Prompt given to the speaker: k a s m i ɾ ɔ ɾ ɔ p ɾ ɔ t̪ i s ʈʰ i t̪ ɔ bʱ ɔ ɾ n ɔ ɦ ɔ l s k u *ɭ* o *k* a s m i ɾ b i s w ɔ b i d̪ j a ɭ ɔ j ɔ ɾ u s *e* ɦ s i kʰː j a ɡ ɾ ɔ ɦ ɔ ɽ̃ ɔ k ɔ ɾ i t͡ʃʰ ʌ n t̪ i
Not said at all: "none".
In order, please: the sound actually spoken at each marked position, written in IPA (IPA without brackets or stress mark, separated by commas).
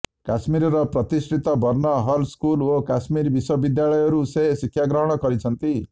l, k, e